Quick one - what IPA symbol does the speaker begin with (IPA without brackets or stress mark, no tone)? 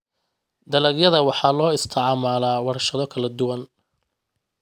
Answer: d̪